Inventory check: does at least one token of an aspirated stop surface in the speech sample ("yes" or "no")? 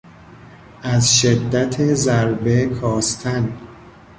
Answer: yes